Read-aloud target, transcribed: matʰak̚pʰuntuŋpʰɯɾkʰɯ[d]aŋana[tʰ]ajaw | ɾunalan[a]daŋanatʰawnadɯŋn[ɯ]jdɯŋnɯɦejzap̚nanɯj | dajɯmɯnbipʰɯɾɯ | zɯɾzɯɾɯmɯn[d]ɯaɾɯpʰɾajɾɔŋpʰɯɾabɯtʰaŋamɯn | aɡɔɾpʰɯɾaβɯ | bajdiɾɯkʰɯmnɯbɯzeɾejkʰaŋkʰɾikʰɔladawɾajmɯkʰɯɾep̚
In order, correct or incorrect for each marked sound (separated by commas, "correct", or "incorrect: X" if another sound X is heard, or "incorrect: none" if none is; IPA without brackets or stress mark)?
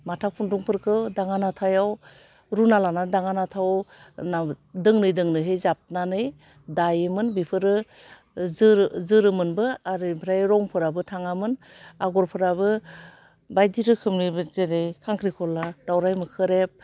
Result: correct, correct, correct, correct, incorrect: b